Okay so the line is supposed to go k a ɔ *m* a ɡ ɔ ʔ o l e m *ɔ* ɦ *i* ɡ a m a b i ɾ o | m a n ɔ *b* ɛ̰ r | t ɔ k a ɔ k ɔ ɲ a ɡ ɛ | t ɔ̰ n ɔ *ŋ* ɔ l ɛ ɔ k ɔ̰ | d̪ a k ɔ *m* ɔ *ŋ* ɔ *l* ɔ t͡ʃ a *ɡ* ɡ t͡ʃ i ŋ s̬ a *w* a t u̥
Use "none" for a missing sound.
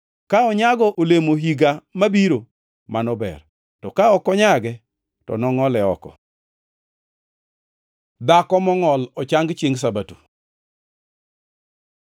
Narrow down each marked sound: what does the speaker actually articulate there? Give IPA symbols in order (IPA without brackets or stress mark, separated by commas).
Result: ɲ, o, i, b, ŋ, m, ŋ, l, ŋ, b